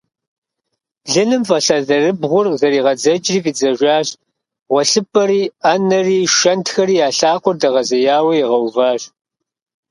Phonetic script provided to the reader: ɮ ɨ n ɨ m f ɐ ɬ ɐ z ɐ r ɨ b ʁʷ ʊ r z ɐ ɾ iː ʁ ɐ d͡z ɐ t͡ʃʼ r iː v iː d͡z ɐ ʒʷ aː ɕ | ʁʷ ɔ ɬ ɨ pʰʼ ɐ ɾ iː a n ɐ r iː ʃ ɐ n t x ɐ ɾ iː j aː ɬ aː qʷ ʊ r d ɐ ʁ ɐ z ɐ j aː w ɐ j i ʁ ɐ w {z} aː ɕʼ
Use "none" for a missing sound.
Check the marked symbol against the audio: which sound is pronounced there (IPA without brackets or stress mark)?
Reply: v